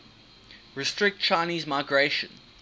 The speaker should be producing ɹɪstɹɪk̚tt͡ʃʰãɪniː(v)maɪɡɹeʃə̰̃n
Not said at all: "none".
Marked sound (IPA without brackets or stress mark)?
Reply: z